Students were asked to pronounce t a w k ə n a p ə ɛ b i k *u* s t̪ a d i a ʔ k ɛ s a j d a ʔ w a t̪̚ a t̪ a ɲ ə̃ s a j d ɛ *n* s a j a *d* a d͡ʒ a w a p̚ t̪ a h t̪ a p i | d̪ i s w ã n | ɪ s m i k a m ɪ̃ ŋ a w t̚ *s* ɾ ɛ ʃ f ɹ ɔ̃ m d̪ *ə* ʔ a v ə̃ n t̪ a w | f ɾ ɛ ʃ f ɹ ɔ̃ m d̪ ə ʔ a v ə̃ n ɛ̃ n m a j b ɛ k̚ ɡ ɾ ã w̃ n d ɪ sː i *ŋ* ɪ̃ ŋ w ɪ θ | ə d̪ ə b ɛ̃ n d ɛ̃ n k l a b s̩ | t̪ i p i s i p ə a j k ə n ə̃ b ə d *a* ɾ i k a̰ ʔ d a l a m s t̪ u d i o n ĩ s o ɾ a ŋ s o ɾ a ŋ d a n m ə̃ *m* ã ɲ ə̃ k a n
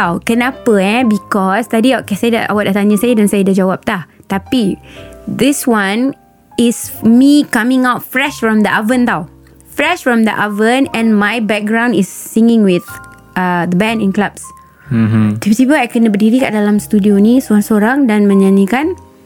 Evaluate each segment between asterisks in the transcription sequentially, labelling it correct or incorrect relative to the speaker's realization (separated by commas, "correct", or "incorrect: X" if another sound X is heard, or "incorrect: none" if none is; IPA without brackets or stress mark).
incorrect: ɔ, correct, correct, incorrect: f, correct, correct, incorrect: i, incorrect: ɲ